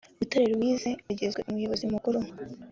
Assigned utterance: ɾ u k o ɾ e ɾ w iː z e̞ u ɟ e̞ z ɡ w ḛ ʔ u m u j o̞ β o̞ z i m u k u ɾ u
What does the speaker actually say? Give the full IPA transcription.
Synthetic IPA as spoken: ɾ u t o ɾ e ɾ w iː z e̞ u ɟ e̞ z ɡ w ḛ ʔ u m u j o̞ β o̞ z i m u k u ɾ u